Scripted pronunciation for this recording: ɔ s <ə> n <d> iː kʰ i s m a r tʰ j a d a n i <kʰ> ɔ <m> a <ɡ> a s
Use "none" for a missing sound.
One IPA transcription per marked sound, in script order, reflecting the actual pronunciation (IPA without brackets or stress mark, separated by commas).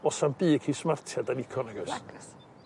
a, b, kʰ, n, ɡ